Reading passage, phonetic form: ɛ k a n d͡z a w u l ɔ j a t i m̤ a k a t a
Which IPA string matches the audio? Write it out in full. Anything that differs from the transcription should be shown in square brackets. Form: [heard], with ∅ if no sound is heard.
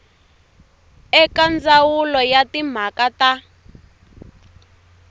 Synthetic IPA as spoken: ɛ k a n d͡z a w u l ɔ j a t i m̤ a k a t a

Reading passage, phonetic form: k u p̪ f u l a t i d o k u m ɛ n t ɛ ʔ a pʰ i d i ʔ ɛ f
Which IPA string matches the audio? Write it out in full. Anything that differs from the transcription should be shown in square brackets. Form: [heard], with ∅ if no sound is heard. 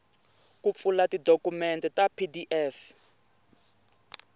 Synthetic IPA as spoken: k u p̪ f u l a t i d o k u m ɛ n t ɛ [t] a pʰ i d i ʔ ɛ f

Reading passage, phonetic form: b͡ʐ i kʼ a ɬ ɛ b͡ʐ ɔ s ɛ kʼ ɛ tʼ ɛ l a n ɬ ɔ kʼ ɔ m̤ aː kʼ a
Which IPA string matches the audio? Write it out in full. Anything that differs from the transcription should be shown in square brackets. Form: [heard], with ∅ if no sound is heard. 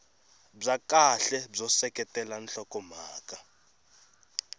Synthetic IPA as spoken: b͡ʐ [a] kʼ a ɬ ɛ b͡ʐ ɔ s ɛ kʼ ɛ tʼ ɛ l a n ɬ ɔ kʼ ɔ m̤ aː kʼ a

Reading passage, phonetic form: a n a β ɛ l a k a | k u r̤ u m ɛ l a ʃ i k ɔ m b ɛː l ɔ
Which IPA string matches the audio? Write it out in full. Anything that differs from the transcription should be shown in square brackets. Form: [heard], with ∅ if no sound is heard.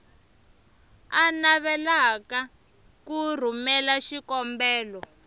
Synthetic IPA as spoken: a n a β ɛ l a k a | k u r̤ u m ɛ l a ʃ i k ɔ m b ɛː l ɔ

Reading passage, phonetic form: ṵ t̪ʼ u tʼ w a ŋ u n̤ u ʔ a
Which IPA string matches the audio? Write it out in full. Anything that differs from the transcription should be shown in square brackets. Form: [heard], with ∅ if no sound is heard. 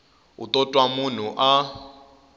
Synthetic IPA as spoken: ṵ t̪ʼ [ɔ] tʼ w a [m] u n̤ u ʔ a

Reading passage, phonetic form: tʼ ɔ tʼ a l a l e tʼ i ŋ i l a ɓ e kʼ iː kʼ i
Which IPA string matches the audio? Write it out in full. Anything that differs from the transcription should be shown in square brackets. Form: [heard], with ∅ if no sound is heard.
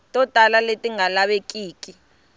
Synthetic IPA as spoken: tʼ ɔ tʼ a l a l e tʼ i ŋ [a] l a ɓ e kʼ iː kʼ i

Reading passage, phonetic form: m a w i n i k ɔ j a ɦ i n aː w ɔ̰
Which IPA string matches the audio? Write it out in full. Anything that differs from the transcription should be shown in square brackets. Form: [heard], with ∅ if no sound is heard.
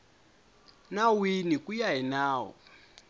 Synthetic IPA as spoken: [n] a w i n i k [u] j a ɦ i n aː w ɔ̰

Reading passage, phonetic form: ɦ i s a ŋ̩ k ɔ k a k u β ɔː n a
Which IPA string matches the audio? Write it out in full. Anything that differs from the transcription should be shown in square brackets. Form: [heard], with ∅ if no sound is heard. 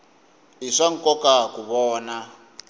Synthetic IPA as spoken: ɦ i [ʂ] a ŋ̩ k ɔ k a k u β ɔː n a

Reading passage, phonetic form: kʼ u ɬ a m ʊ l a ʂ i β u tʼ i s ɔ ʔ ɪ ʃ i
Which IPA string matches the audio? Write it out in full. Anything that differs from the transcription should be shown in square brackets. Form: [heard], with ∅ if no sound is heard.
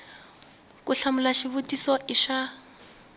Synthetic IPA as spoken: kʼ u ɬ a m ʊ l a [ʃ] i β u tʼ i s ɔ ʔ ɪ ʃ [a]

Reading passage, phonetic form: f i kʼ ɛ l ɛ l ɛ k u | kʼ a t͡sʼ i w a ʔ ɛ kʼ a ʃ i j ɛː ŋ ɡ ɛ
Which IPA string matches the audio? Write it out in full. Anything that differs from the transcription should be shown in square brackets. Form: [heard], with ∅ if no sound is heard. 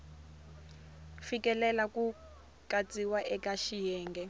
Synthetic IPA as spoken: f i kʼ ɛ l ɛ l [a] k u | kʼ a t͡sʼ i w a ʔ ɛ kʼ a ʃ i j ɛː ŋ ɡ ɛ

